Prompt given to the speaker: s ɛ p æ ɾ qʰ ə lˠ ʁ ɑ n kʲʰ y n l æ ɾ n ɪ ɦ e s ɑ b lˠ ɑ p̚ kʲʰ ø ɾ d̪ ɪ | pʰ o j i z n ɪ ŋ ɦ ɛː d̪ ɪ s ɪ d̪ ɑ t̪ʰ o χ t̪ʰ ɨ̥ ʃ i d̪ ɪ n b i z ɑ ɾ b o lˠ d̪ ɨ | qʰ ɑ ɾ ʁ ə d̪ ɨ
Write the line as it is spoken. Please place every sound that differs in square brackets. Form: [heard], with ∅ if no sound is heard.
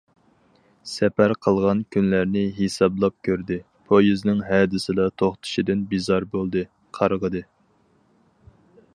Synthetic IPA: s ɛ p æ ɾ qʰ ə lˠ ʁ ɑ n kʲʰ y n l æ ɾ n ɪ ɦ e s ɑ b lˠ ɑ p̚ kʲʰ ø ɾ d̪ ɪ | pʰ o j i z n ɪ ŋ ɦ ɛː d̪ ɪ s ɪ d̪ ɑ t̪ʰ o χ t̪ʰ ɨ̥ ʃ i d̪ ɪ n b i z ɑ ɾ b o lˠ d̪ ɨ | qʰ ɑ ɾ ʁ ə d̪ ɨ